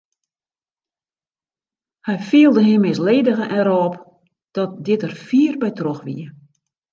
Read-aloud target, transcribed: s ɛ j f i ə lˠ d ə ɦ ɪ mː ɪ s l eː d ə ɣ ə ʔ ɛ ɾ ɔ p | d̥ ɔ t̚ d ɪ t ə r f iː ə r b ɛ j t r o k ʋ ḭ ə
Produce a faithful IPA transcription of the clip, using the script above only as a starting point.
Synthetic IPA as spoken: h ɛ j f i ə lˠ d ə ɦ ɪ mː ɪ s l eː d ə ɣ ə ʔ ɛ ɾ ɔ p | d̥ ɔ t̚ d ɪ t ə r f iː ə r b ɛ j t r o x ʋ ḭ ə